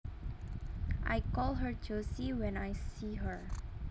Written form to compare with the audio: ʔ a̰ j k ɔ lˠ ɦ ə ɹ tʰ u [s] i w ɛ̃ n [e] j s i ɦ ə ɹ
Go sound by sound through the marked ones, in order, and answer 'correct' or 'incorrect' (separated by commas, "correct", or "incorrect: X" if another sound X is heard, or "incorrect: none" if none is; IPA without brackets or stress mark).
correct, incorrect: a